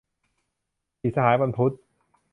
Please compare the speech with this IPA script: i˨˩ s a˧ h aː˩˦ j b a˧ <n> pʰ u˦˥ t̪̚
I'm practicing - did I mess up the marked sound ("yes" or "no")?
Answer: no